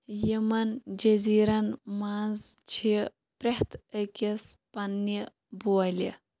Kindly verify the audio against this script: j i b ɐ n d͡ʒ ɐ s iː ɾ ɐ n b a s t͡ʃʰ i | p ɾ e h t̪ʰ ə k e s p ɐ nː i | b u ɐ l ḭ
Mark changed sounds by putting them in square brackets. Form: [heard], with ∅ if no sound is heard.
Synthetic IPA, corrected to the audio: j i [m] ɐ n d͡ʒ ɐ [z] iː ɾ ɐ n [m] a [z] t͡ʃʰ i | p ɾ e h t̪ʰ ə k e s p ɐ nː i | b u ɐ l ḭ